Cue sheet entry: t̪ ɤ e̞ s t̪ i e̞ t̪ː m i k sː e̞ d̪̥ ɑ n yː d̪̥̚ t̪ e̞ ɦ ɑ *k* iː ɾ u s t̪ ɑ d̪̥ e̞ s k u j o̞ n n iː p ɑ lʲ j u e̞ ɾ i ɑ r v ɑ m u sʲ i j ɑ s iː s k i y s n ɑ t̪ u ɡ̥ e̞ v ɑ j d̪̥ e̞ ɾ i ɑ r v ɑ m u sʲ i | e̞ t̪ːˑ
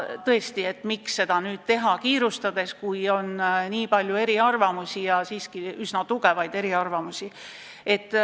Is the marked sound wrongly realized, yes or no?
no